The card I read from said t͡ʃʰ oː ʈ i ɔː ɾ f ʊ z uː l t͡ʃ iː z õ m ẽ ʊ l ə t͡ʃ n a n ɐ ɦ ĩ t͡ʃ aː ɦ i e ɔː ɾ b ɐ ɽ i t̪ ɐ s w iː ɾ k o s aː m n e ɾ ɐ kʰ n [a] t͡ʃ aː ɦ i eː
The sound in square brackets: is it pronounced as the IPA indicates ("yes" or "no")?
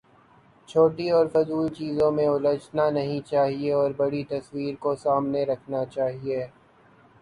yes